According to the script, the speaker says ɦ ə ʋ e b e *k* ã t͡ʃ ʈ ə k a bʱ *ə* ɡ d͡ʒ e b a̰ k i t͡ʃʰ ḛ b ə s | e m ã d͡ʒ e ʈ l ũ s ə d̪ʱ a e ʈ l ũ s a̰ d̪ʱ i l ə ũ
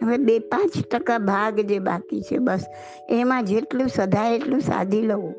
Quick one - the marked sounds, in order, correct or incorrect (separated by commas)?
incorrect, incorrect